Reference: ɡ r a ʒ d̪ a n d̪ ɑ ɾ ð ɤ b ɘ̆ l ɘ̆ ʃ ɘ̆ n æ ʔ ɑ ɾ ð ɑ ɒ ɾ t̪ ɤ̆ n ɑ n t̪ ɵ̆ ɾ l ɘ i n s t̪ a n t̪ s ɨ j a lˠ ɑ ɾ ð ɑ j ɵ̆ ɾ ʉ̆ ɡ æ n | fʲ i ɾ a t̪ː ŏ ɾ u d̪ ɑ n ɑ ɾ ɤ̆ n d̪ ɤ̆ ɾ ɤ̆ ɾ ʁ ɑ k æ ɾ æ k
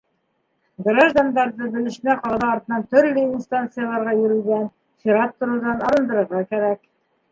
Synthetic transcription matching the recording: ɡ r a ʒ d̪ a n d̪ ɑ ɾ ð ɤ b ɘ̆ l ɘ̆ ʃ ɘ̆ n æ q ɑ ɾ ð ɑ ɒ ɾ t̪ ɤ̆ n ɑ n t̪ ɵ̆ ɾ l ɘ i n s t̪ a n t̪ s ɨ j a lˠ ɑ ɾ ʁ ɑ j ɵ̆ ɾ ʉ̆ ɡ æ n | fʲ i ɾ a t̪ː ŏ ɾ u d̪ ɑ n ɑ ɾ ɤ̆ n d̪ ɤ̆ ɾ ɤ̆ ɾ ʁ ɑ k æ ɾ æ k